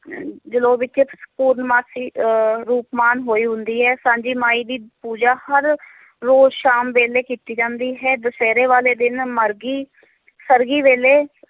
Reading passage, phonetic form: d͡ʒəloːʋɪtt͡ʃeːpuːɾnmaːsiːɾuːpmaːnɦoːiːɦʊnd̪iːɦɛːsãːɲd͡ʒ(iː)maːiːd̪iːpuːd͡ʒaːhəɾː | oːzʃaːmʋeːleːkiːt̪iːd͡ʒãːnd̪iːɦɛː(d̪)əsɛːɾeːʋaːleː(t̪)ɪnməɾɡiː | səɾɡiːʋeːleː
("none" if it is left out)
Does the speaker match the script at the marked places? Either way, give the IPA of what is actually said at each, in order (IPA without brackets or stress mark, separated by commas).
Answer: iː, d̪, d̪